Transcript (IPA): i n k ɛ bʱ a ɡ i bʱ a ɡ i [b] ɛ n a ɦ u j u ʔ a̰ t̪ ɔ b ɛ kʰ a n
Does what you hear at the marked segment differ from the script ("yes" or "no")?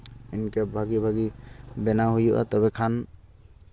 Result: no